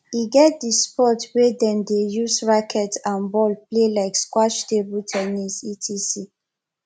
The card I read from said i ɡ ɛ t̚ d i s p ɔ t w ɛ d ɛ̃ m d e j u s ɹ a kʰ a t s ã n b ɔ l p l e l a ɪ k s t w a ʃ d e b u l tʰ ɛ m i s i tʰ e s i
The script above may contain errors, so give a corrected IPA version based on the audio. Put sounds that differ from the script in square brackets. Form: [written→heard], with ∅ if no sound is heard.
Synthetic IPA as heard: i ɡ ɛ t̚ d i s p ɔ t w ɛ d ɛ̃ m d e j u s ɹ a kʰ [a→ɛ] t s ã n b ɔ l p l e l a ɪ k s [t→k] w a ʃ [d→t] e b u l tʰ ɛ [m→n] i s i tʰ [e→i] s i